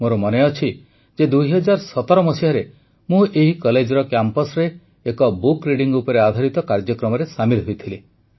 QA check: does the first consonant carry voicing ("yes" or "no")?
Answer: yes